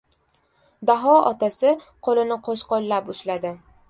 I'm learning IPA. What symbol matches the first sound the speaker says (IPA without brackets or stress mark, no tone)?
d̪